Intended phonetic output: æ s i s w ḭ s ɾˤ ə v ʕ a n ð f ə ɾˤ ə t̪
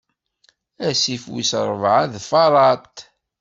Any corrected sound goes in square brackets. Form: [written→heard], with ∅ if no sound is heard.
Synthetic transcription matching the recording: æ s i [s→f] w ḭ s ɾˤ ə v ʕ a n ð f [ə→ɑ] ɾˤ [ə→ɑ] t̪